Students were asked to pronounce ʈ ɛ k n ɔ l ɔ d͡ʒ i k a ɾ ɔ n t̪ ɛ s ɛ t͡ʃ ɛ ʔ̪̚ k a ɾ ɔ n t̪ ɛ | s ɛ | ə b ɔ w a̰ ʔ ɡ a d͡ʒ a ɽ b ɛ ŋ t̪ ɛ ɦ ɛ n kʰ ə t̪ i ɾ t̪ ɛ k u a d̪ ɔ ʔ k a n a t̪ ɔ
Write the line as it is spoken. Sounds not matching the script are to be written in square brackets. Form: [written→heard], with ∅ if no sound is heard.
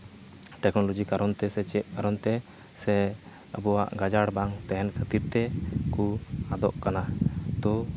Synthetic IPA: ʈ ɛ k n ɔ l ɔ d͡ʒ i k a ɾ ɔ n t̪ ɛ s ɛ t͡ʃ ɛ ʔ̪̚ k a ɾ ɔ n t̪ ɛ | s ɛ | ə b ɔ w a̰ ʔ ɡ a d͡ʒ a ɽ b [ɛ→a] ŋ t̪ ɛ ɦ ɛ n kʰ ə t̪ i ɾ t̪ ɛ k u a d̪ ɔ ʔ k a n a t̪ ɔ